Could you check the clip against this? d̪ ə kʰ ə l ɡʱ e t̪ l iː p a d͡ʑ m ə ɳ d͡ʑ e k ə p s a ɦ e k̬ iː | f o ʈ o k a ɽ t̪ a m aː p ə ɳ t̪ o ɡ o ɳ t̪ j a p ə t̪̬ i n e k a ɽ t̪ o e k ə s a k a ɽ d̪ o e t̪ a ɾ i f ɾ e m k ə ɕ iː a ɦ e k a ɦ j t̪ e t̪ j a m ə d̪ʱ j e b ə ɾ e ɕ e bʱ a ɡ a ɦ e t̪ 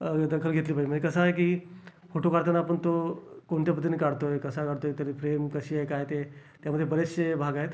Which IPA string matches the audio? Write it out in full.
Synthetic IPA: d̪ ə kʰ ə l ɡʱ e t̪ l iː p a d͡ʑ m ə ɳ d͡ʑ e k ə s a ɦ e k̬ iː | f o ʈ o k a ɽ t̪ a n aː p ə ɳ t̪ o k o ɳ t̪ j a p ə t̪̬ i n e k a ɽ t̪ o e k ə s a k a ɽ t̪ o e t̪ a ɾ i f ɾ e m k ə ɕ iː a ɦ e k a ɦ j t̪ e t̪ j a m ə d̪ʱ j e b ə ɾ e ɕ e bʱ a ɡ a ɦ e t̪